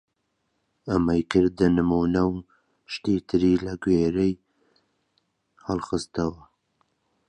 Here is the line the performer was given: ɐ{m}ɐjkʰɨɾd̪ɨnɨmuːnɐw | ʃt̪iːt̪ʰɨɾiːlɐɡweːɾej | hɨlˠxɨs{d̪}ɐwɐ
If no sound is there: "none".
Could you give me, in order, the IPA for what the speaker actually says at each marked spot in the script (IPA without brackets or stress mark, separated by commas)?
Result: m, t̪